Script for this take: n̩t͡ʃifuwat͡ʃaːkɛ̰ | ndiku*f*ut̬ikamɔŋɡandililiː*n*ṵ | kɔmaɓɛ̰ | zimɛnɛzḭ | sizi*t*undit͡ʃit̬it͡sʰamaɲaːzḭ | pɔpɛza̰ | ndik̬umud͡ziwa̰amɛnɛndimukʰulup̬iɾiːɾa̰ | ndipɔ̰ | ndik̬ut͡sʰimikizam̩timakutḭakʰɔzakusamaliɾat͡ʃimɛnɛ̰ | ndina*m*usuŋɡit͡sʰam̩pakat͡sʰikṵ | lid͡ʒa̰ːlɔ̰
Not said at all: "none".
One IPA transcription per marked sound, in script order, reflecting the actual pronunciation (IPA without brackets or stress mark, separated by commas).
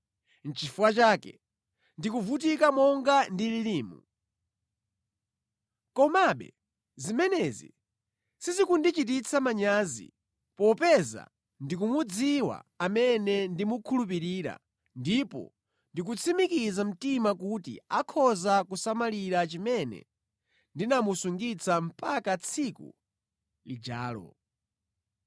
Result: v, m, k, m